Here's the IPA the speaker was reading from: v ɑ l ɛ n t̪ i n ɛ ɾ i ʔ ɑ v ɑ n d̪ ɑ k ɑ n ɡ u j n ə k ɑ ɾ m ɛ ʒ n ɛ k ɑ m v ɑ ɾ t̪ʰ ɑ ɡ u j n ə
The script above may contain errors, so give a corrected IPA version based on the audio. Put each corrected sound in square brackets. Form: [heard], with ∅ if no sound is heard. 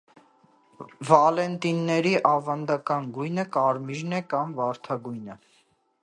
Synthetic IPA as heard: v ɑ l ɛ n t̪ i [nː] ɛ ɾ i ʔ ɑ v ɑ n d̪ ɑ k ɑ n ɡ u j n ə k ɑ ɾ m [i] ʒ n ɛ k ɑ m v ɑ ɾ t̪ʰ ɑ ɡ u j n ə